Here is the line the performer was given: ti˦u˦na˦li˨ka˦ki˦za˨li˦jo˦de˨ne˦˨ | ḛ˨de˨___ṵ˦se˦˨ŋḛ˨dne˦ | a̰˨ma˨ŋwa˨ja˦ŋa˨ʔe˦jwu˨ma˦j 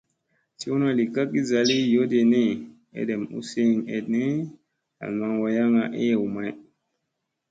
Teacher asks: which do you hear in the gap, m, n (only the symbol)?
m